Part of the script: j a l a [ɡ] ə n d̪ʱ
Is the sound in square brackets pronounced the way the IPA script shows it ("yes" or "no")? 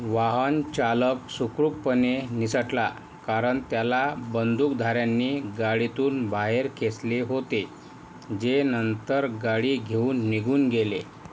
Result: no